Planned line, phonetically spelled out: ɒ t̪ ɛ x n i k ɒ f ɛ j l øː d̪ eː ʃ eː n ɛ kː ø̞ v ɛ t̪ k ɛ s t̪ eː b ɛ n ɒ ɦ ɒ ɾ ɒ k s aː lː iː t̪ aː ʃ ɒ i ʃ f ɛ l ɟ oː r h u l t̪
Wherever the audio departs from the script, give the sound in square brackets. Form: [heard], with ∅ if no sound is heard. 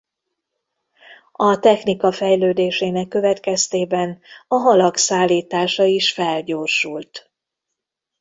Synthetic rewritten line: ɒ t̪ ɛ x n i k ɒ f ɛ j l øː d̪ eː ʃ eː n ɛ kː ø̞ v ɛ t̪ k ɛ s t̪ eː b ɛ n ɒ ɦ ɒ [l] ɒ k s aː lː iː t̪ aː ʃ ɒ i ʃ f ɛ l ɟ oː r [ʃ] u l t̪